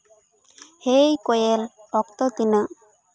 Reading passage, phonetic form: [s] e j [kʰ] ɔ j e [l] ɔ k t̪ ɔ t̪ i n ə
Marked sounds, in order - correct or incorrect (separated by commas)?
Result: incorrect, incorrect, correct